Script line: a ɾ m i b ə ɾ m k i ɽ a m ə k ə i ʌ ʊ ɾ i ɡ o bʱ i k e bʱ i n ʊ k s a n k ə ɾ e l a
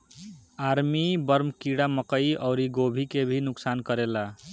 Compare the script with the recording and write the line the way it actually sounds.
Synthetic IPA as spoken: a ɾ m i b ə ɾ m k i ɽ a m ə k ə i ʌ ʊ ɾ i ɡ o bʱ i k e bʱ i n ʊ k s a n k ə ɾ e l a